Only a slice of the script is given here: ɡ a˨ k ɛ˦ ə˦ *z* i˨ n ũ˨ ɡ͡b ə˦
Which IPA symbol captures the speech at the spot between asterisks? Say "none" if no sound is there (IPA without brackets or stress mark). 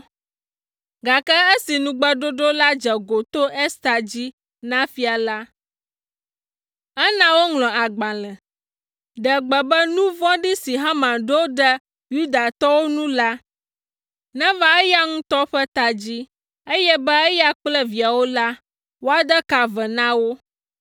s